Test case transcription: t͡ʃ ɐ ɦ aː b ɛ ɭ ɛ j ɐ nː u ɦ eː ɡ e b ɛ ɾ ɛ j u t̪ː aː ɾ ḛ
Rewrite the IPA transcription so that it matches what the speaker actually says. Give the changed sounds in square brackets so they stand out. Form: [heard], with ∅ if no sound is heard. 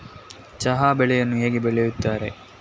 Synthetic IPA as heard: t͡ʃ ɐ ɦ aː b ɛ ɭ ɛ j ɐ nː u ɦ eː ɡ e b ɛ [ɭ] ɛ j u t̪ː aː ɾ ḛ